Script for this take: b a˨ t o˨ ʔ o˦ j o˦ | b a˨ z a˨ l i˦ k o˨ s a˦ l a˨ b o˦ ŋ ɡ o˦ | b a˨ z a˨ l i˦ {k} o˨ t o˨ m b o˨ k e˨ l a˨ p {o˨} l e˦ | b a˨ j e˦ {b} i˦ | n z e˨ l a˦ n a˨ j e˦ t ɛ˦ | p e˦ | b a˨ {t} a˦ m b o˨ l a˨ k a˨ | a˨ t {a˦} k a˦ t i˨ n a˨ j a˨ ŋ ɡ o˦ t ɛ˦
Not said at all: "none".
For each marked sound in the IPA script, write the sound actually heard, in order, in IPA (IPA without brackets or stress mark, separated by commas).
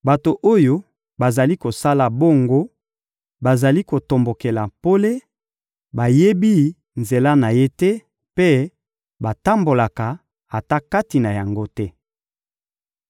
k, o˦, b, t, a˦